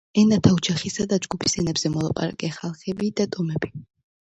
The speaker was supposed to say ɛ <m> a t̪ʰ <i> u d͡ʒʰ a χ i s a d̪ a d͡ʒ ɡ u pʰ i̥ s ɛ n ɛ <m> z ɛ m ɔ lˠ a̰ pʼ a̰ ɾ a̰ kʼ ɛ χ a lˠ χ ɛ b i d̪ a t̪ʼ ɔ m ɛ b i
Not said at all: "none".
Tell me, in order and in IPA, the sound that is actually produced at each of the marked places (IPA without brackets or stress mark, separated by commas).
n, a, b